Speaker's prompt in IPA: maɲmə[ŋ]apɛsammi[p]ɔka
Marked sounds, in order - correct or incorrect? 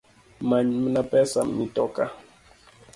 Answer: incorrect, incorrect

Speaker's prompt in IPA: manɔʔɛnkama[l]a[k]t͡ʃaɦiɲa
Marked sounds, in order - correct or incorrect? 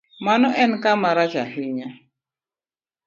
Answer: incorrect, incorrect

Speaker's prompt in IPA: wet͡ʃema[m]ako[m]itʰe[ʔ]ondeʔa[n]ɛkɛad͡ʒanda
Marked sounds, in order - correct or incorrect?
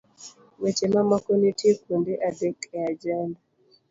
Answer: correct, incorrect, incorrect, incorrect

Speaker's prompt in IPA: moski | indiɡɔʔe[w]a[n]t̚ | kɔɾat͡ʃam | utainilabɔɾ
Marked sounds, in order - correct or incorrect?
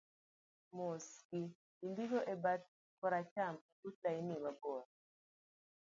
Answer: incorrect, incorrect

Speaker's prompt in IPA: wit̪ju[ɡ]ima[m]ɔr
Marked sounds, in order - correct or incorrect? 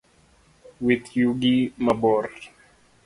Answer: correct, incorrect

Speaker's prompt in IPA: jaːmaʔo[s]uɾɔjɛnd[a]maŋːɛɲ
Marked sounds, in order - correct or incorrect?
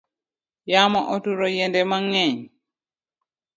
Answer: incorrect, incorrect

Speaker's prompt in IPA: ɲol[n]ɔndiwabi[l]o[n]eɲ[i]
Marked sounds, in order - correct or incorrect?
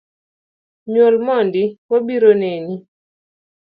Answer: incorrect, incorrect, correct, correct

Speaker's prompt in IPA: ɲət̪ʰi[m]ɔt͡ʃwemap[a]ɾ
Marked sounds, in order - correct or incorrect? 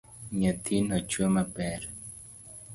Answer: incorrect, incorrect

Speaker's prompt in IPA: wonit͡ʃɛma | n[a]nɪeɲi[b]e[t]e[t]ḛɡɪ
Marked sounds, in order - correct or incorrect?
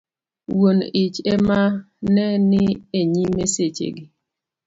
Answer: incorrect, incorrect, incorrect, incorrect

